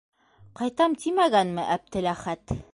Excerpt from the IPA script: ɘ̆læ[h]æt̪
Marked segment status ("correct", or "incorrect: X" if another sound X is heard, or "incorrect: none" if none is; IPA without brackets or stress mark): incorrect: χ